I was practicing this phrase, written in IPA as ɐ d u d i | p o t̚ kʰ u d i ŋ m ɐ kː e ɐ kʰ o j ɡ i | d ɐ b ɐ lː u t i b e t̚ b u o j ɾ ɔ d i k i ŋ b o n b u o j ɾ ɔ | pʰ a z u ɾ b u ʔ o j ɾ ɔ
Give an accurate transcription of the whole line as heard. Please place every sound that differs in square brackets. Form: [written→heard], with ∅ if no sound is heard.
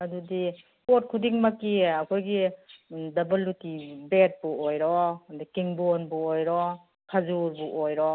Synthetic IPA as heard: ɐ d u d i | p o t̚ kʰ u d i ŋ m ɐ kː [e→i] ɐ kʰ o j ɡ i | d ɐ b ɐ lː u t i b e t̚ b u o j ɾ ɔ d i k i ŋ b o n b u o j ɾ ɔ | [pʰ→kʰ] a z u ɾ b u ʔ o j ɾ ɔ